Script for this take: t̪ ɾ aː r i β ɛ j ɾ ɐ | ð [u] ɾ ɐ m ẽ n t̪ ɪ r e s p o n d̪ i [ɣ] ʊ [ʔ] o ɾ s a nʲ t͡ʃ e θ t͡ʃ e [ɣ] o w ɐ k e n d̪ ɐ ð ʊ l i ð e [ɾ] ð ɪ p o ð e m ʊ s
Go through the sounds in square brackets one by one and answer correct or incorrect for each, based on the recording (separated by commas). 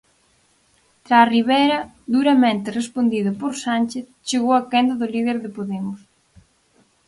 correct, incorrect, incorrect, correct, correct